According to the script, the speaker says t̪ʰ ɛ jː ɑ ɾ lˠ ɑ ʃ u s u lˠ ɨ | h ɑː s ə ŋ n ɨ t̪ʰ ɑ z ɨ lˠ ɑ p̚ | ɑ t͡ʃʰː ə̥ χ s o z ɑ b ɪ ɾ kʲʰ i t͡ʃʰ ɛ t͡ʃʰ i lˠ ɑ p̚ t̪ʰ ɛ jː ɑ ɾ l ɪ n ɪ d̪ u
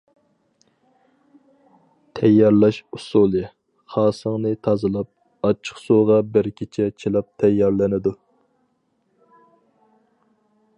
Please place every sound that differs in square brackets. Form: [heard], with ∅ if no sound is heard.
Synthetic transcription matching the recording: t̪ʰ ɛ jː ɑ ɾ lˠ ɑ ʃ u s u lˠ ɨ | [χ] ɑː s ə ŋ n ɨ t̪ʰ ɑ z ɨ lˠ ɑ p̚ | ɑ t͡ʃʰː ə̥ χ s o [ʁ] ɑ b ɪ ɾ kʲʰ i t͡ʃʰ ɛ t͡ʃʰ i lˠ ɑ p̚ t̪ʰ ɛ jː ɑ ɾ l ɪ n ɪ d̪ u